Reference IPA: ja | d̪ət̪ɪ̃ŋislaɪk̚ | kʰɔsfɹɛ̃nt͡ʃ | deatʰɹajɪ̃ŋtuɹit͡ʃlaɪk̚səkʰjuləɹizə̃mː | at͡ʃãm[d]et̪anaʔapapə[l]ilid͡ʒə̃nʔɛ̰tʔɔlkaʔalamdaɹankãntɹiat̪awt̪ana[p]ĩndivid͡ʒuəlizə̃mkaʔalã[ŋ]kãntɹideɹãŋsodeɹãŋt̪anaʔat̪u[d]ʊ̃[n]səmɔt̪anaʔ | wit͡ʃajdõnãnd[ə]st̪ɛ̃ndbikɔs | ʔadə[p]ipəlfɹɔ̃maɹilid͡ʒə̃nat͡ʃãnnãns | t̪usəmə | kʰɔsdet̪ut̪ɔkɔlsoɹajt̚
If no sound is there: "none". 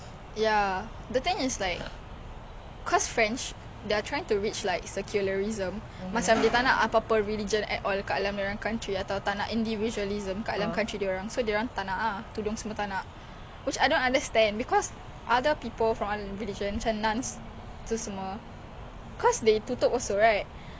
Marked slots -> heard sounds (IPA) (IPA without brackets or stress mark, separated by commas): d, ɹ, ʔ, m, d, ŋ, ə, p